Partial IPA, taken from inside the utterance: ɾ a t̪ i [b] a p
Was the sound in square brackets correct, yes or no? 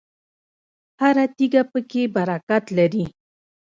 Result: no